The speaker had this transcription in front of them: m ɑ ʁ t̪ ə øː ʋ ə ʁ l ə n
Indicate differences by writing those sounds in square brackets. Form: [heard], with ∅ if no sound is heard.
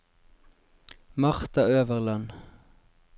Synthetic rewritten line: m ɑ ʁ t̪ [ɑ] øː ʋ ə ʁ l [ɑ] n